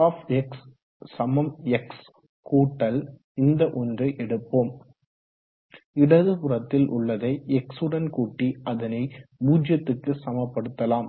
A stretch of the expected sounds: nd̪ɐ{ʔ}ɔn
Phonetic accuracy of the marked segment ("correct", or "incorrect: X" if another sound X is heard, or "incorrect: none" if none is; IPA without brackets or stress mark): correct